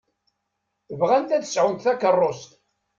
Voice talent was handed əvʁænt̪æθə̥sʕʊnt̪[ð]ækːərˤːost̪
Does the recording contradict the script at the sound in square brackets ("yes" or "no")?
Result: yes